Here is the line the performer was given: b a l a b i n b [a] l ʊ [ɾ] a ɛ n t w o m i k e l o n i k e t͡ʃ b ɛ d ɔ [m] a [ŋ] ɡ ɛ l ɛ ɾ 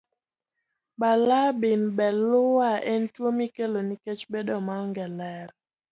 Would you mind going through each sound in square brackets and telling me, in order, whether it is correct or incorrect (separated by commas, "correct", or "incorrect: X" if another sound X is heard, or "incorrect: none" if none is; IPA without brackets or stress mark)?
incorrect: ɛ, incorrect: none, correct, correct